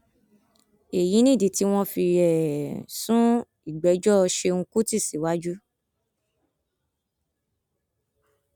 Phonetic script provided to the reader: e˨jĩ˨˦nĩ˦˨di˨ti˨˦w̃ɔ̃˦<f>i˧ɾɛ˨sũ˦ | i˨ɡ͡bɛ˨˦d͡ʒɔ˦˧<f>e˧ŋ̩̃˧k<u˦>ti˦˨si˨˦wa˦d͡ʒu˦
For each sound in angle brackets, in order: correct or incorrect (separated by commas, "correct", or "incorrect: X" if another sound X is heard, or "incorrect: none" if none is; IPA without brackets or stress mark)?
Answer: correct, incorrect: ʃ, correct